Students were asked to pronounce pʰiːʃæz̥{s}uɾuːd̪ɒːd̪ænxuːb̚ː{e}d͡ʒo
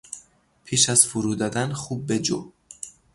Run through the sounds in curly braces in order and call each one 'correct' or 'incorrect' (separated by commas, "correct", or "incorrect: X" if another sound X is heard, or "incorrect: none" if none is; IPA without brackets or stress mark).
incorrect: f, correct